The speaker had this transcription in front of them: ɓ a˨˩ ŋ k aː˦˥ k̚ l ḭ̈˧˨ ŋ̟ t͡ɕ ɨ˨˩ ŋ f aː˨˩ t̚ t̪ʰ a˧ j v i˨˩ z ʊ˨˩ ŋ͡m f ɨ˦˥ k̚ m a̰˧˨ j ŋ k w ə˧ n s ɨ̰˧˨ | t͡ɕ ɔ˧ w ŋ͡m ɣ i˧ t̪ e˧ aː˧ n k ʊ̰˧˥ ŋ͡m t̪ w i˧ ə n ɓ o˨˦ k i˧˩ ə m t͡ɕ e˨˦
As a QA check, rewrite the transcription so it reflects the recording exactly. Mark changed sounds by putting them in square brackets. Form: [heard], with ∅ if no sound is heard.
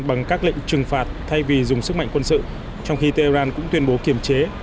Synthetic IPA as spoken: ɓ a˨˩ ŋ k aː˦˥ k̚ l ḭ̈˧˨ ŋ̟ t͡ɕ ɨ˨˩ ŋ f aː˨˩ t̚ t̪ʰ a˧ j v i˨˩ z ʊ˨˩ ŋ͡m [s] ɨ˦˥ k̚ m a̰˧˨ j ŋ k w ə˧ n s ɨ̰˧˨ | t͡ɕ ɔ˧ w ŋ͡m [x] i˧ t̪ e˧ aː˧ n k ʊ̰˧˥ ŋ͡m t̪ w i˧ ə n ɓ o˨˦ k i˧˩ ə m t͡ɕ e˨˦

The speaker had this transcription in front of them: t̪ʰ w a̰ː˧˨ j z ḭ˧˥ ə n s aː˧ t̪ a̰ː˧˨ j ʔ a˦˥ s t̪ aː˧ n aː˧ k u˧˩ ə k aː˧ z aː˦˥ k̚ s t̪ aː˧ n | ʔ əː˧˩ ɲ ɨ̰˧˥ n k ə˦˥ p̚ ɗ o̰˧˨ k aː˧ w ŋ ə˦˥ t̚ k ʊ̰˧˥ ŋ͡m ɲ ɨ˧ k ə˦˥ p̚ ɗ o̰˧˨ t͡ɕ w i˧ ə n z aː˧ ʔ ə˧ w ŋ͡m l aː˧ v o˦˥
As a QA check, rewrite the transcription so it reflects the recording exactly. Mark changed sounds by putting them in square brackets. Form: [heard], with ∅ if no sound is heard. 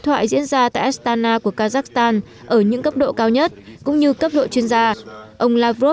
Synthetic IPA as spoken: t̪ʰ w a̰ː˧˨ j z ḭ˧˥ ə n [z] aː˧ t̪ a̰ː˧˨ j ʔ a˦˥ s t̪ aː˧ n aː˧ k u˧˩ ə k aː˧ z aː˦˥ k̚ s t̪ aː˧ n | ʔ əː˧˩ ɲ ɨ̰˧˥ [ŋ] k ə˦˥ p̚ ɗ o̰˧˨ k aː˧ w [ɲ] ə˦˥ t̚ k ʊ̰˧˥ ŋ͡m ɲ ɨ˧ k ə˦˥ p̚ ɗ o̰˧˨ t͡ɕ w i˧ ə n z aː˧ ʔ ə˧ w ŋ͡m l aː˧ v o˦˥

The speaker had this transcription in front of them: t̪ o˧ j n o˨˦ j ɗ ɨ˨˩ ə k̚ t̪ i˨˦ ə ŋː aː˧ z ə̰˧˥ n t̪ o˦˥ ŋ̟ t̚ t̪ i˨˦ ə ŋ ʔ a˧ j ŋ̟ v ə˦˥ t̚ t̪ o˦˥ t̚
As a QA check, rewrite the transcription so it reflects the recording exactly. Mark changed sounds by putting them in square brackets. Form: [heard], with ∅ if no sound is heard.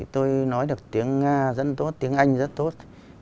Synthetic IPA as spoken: t̪ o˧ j n [ɔ˨˦] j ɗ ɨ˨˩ ə k̚ t̪ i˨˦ ə ŋː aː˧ z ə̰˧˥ n t̪ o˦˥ [∅] t̚ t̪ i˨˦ ə ŋ ʔ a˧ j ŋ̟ [z] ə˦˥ t̚ t̪ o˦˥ t̚

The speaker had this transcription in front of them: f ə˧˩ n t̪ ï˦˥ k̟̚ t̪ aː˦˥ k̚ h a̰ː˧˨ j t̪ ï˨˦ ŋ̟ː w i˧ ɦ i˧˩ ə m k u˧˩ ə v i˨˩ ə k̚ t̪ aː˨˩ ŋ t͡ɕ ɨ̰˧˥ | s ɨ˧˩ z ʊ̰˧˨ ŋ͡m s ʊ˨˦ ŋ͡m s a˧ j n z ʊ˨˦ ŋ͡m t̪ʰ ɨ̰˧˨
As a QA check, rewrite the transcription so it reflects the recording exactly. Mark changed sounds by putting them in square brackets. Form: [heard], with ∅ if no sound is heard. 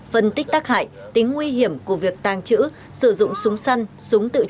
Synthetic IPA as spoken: f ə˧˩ n t̪ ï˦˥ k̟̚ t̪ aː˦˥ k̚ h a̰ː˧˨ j t̪ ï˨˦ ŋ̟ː w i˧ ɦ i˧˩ ə m k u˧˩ ə v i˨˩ ə k̚ t̪ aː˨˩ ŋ t͡ɕ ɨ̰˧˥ | s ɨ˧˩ z ʊ̰˧˨ ŋ͡m s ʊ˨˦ ŋ͡m s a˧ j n [s] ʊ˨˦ ŋ͡m [t̪] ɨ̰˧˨

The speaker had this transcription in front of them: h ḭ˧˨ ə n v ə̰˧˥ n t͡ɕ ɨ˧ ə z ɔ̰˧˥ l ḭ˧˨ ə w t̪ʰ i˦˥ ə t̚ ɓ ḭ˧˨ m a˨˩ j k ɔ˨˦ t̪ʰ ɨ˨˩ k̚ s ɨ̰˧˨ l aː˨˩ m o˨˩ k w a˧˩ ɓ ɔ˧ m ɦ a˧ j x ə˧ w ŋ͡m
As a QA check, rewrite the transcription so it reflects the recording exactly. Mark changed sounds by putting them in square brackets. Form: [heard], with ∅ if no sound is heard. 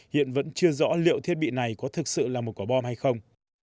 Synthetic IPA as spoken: h ḭ˧˨ ə n v ə̰˧˥ n t͡ɕ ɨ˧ ə z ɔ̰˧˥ l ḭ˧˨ ə w t̪ʰ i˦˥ ə t̚ ɓ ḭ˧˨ [n] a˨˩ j k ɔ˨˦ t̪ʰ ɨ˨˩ k̚ s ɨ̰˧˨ l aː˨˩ m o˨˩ k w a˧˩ ɓ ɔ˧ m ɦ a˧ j x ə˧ w ŋ͡m

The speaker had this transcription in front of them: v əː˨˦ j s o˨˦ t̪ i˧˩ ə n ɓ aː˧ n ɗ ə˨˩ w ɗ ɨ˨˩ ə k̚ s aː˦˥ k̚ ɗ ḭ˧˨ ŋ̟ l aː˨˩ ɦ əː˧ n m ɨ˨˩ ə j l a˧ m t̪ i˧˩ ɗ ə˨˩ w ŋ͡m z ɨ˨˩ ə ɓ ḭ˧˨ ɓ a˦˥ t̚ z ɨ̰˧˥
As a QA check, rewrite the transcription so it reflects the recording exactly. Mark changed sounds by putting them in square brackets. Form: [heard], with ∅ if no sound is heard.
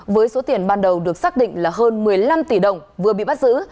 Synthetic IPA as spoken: v əː˨˦ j s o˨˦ t̪ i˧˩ ə n ɓ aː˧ n ɗ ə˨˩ w ɗ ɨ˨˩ ə k̚ s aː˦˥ k̚ ɗ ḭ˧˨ ŋ̟ l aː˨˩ ɦ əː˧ n m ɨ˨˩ ə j l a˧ m t̪ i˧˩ ɗ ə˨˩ w ŋ͡m [v] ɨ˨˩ ə ɓ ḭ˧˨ ɓ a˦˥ t̚ z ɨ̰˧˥

